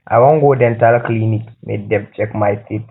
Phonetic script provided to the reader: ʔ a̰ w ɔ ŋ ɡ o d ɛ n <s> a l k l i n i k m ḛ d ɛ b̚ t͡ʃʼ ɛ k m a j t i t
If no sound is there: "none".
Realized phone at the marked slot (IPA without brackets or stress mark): t